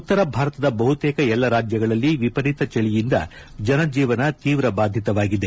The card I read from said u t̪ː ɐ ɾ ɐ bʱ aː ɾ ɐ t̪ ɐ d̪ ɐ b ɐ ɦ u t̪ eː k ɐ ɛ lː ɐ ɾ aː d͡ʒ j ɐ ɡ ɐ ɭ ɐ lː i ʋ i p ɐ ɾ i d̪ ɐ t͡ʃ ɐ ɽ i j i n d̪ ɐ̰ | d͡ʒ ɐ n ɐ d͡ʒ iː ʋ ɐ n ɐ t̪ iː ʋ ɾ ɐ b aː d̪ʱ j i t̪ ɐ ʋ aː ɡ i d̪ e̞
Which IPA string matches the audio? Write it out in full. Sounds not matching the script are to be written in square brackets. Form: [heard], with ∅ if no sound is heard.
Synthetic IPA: u t̪ː ɐ ɾ ɐ bʱ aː ɾ ɐ t̪ ɐ d̪ ɐ b ɐ ɦ u t̪ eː k ɐ ɛ lː ɐ ɾ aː d͡ʒ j ɐ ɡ ɐ ɭ ɐ lː i ʋ i p ɐ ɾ i [t̪] ɐ t͡ʃ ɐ [ɭ] i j i n d̪ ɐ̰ | d͡ʒ ɐ n ɐ d͡ʒ iː ʋ ɐ n ɐ t̪ iː ʋ ɾ ɐ b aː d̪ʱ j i t̪ ɐ ʋ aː ɡ i d̪ e̞